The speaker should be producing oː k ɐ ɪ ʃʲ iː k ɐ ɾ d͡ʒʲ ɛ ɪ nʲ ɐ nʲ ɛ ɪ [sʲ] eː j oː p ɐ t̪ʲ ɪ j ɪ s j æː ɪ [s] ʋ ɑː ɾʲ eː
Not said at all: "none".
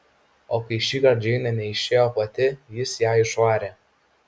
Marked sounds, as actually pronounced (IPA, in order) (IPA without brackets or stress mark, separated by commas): ʃʲ, ʃ